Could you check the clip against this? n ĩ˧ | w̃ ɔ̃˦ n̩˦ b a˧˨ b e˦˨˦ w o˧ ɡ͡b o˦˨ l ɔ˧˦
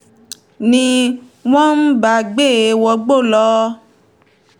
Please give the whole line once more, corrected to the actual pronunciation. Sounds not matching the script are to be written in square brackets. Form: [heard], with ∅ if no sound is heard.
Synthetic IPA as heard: n ĩ˧ | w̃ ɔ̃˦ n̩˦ b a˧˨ [ɡ͡b] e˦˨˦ w [ɔ˧] ɡ͡b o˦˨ l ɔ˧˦